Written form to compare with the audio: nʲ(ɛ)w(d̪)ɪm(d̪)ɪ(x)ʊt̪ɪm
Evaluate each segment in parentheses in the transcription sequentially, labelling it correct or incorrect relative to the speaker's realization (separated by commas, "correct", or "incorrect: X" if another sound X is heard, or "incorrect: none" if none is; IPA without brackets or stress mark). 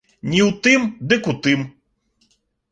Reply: incorrect: i, incorrect: t̪, correct, incorrect: k